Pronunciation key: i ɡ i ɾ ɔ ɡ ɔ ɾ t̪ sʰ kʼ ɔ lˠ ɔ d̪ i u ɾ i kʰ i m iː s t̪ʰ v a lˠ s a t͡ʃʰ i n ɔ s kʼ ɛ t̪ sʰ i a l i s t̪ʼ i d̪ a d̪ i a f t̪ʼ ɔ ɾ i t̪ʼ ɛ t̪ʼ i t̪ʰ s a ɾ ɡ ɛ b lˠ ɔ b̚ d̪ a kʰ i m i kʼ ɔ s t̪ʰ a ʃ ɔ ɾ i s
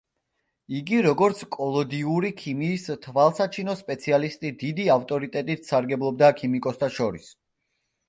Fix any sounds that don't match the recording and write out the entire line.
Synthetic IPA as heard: i ɡ i ɾ ɔ ɡ ɔ ɾ t̪ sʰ kʼ ɔ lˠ ɔ d̪ i u ɾ i kʰ i m iː s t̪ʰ v a lˠ s a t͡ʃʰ i n ɔ s pʼ ɛ t̪ sʰ i a l i s t̪ʼ i d̪ i d̪ i a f t̪ʼ ɔ ɾ i t̪ʼ ɛ t̪ʼ i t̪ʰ s a ɾ ɡ ɛ b lˠ ɔ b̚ d̪ a kʰ i m i kʼ ɔ s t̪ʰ a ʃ ɔ ɾ i s